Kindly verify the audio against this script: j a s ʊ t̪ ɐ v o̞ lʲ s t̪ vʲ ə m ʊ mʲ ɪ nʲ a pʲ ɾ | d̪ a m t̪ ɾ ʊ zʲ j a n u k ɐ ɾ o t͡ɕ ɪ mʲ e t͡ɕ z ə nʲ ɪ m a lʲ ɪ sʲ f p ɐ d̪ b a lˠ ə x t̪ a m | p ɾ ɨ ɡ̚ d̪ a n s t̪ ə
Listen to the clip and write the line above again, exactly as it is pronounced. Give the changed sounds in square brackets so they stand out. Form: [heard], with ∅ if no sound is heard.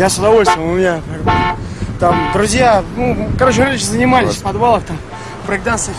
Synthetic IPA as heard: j a s ʊ [d̪] ɐ v o̞ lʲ s t̪ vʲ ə m ʊ mʲ ɪ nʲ a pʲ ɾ | [t̪] a m [d̪] ɾ ʊ zʲ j a n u k ɐ ɾ o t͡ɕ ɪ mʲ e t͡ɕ z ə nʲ ɪ m a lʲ ɪ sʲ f p ɐ d̪ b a lˠ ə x t̪ a m | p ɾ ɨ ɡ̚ d̪ a n s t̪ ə